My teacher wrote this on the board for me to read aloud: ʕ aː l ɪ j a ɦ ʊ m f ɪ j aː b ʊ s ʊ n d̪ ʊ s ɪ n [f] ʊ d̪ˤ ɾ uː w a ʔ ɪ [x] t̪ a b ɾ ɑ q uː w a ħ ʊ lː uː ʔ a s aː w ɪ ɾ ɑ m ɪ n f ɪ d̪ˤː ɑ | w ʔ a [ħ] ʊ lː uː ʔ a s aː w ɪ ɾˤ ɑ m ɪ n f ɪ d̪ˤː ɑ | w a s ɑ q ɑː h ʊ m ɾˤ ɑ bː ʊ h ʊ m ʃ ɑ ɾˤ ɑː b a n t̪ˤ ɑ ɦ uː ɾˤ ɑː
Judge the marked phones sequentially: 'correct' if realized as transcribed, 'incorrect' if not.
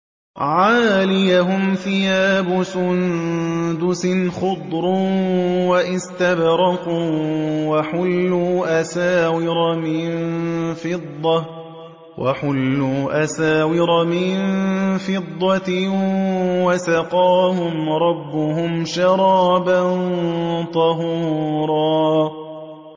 incorrect, incorrect, correct

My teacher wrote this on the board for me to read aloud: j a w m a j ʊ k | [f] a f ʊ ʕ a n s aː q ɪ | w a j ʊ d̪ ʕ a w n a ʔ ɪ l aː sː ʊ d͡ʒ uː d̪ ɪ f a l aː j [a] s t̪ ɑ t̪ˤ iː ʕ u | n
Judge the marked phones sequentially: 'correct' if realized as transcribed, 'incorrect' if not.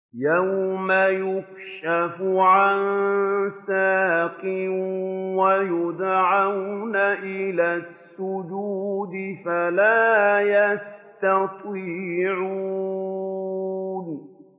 incorrect, correct

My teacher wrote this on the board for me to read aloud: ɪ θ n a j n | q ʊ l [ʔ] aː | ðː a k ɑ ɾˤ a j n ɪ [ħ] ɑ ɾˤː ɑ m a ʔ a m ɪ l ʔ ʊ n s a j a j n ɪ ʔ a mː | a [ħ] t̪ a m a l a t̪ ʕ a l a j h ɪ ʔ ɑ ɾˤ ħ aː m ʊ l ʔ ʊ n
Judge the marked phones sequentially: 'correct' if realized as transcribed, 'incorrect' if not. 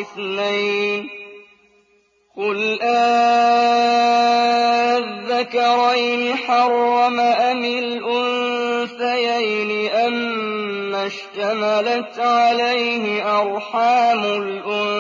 correct, correct, incorrect

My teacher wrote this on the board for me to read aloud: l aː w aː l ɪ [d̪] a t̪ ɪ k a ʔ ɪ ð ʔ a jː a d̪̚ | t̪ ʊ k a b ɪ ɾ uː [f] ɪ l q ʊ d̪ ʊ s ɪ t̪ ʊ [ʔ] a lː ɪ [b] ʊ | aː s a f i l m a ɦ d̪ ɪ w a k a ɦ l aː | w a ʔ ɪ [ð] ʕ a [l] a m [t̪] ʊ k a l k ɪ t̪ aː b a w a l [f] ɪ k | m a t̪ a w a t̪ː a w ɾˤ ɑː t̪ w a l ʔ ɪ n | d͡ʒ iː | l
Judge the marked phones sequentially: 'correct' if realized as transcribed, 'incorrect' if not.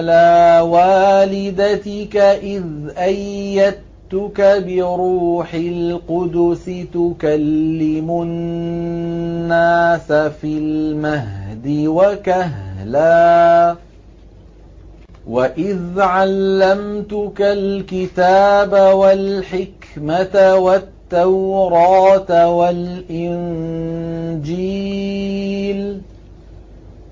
correct, incorrect, incorrect, incorrect, correct, incorrect, correct, incorrect

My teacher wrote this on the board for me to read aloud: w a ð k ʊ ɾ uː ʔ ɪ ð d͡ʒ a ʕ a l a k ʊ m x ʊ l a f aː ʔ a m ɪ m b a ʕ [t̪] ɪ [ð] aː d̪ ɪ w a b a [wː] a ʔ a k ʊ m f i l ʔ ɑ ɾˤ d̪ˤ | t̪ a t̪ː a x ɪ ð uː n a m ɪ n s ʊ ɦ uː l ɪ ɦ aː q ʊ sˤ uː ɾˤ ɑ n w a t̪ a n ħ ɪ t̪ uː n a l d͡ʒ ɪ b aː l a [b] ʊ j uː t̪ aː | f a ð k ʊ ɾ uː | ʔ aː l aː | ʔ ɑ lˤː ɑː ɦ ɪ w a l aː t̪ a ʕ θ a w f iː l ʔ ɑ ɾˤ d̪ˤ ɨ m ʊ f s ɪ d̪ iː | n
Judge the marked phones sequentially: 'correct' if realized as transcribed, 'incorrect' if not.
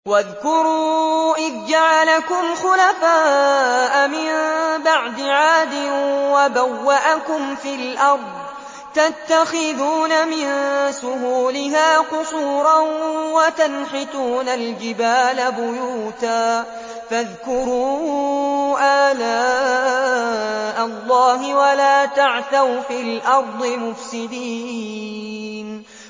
incorrect, incorrect, correct, correct

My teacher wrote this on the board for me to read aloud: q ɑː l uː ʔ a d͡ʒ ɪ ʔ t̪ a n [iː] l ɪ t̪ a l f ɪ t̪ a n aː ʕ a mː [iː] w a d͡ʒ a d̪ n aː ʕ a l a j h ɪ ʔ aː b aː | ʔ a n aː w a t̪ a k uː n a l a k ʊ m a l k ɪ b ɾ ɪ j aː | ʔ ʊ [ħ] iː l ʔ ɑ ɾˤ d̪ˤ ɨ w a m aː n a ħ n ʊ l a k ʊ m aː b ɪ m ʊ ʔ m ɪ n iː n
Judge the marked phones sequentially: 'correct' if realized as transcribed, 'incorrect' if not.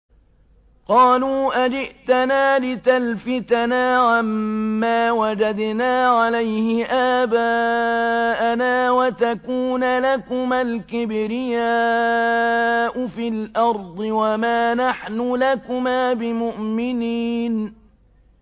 incorrect, incorrect, incorrect

